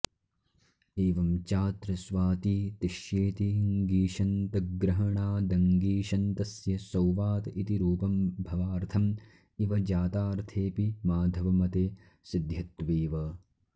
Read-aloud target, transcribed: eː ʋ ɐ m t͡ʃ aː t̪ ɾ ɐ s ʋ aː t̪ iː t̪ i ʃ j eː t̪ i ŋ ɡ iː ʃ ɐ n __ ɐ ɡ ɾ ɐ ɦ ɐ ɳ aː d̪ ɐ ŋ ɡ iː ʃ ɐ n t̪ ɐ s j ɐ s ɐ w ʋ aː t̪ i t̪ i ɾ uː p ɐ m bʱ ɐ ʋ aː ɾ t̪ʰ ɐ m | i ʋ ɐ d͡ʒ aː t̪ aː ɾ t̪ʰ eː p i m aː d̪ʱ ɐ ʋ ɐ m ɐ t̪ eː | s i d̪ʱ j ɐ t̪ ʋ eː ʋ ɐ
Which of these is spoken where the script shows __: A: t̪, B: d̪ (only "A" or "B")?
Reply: A